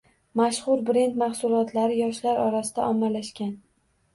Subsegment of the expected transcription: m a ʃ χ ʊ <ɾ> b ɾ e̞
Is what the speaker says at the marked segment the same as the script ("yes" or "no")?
yes